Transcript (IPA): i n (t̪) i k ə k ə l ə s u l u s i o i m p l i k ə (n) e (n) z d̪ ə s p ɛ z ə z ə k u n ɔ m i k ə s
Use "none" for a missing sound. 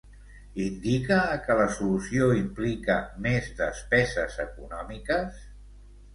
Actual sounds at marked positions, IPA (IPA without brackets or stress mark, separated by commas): d̪, m, none